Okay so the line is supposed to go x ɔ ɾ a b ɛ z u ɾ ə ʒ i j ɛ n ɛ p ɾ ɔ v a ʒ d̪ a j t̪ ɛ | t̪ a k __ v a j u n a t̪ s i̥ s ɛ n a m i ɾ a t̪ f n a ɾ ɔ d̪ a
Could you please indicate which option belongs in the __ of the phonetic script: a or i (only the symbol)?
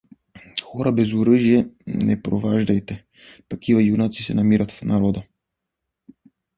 i